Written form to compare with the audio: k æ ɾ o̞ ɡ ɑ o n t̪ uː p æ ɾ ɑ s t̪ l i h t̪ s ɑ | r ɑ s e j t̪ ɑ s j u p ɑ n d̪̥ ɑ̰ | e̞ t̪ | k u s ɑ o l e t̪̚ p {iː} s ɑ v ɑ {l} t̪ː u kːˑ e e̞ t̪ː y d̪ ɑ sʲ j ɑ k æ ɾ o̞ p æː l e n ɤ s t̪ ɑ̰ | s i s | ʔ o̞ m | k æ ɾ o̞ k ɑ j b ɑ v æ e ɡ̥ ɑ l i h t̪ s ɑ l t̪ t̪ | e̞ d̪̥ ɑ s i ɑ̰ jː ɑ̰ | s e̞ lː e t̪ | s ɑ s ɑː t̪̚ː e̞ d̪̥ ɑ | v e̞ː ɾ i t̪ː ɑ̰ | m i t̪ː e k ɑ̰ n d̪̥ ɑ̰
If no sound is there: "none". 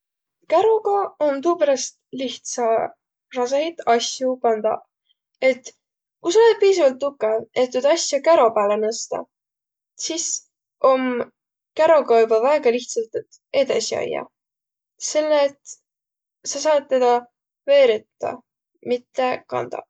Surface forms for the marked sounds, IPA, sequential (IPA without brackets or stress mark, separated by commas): iː, l